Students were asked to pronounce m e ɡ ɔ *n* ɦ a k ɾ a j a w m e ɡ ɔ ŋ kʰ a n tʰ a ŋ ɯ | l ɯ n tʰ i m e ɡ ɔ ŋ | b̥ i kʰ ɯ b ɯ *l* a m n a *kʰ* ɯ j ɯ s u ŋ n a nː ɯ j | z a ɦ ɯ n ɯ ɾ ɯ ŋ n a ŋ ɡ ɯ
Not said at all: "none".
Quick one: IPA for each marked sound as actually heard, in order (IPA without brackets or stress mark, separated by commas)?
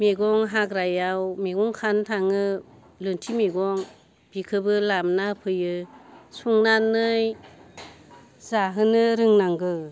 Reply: ŋ, l, pʰ